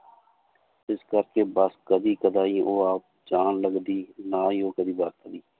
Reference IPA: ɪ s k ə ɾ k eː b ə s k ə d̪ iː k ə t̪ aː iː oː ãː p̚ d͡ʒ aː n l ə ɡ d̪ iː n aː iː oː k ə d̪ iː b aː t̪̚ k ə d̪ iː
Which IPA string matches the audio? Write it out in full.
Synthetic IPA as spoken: ɪ s k ə ɾ k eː b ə s k ə d̪ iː k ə d̪ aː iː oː aː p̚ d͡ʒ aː n l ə ɡ d̪ iː n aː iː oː k ə d̪ iː b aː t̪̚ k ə d̪ iː